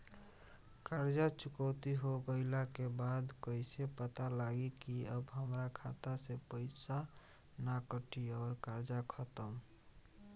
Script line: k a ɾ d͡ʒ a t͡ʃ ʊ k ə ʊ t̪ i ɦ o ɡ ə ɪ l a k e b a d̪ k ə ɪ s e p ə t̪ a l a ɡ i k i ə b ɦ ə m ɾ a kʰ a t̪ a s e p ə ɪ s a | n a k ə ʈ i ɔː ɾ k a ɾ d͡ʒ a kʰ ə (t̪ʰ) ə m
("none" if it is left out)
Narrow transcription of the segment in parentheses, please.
t̪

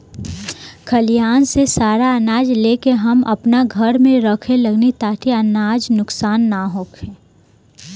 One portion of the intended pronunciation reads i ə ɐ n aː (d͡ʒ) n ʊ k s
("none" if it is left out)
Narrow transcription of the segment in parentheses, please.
d͡ʒ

